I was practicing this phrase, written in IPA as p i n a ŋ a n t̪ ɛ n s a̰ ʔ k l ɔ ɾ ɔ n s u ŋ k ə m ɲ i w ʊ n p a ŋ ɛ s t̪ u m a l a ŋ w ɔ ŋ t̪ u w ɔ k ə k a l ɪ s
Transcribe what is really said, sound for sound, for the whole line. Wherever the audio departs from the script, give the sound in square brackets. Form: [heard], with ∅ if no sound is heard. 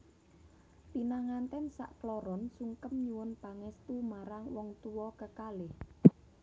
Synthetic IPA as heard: p i n a ŋ a n t̪ ɛ n s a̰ ʔ k l ɔ ɾ ɔ n s u ŋ k ə m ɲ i w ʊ n p a ŋ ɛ s t̪ u m a [ɾ] a ŋ w ɔ ŋ t̪ u w ɔ k ə k a l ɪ [h]